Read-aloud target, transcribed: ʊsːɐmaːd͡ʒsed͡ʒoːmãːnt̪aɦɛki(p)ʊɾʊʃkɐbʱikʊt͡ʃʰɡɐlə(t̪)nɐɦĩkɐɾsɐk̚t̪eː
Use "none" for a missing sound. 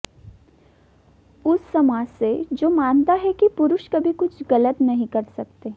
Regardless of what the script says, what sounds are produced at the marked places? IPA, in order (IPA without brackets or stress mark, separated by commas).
p, t̪